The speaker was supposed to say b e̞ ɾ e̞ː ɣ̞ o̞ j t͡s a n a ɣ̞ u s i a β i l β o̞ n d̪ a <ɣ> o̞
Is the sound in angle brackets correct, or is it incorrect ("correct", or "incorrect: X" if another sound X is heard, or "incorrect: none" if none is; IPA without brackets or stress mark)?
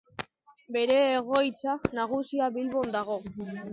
correct